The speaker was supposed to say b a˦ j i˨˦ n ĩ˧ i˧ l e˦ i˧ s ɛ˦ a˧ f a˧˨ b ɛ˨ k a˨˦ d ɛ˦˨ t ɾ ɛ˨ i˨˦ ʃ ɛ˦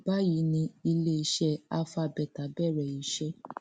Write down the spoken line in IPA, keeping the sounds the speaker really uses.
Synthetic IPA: b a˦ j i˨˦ n ĩ˧ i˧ l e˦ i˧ ʃ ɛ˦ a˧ f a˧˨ b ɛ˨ t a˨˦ b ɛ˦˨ ɾ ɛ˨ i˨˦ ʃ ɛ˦